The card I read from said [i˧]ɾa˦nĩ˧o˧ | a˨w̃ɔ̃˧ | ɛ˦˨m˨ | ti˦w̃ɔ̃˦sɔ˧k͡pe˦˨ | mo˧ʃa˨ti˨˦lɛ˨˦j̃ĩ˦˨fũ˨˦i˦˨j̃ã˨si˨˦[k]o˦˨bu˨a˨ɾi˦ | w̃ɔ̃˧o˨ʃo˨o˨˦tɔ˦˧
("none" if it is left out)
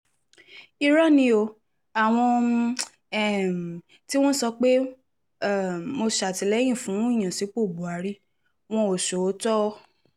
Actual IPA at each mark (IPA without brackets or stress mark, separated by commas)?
i˧, k͡p